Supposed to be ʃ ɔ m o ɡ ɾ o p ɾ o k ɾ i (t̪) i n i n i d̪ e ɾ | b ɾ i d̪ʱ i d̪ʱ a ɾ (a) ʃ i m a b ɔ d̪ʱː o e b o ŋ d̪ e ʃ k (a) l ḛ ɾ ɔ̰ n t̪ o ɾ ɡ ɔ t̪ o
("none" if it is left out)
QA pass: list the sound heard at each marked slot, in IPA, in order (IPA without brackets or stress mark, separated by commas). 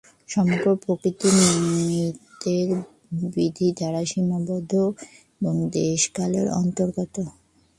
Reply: t̪, a, a